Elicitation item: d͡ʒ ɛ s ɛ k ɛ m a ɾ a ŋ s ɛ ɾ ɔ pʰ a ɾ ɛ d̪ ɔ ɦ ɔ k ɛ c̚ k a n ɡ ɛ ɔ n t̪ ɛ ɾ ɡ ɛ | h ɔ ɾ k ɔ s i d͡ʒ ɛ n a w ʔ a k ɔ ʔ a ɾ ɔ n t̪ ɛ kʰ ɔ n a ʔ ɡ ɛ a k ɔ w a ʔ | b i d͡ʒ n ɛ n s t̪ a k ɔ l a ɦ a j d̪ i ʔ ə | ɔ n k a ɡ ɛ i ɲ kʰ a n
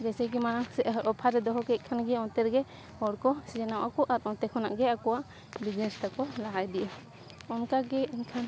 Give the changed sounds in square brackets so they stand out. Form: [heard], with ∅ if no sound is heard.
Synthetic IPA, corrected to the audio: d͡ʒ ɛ s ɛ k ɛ m a ɾ a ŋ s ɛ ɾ ɔ pʰ a ɾ ɛ d̪ ɔ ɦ ɔ k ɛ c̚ [kʰ] a n ɡ ɛ ɔ n t̪ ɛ ɾ ɡ ɛ | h ɔ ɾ k ɔ s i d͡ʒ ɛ n a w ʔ a k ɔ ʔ a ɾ ɔ n t̪ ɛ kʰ ɔ n a ʔ ɡ ɛ a k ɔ w a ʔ | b i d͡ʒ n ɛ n s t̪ a k ɔ l a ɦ a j d̪ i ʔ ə | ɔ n k a ɡ ɛ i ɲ kʰ a n